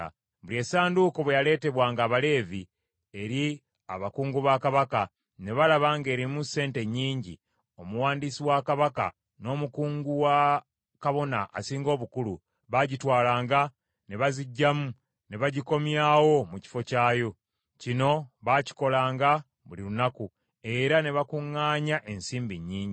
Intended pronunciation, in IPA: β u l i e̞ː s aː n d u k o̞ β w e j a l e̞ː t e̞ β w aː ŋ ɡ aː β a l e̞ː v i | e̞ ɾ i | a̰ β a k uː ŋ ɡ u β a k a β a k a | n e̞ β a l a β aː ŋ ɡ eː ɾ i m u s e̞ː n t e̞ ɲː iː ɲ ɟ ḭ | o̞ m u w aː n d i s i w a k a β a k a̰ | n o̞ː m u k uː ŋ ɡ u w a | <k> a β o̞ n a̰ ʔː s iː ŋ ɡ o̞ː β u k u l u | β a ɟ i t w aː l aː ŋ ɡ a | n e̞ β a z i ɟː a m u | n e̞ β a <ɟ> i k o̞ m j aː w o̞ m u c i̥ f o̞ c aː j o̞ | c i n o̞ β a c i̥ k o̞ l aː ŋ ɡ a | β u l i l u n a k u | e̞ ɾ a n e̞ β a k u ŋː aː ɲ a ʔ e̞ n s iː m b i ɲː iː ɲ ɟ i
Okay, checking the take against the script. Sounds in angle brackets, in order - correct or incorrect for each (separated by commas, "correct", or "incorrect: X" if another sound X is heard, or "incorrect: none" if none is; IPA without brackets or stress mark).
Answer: correct, correct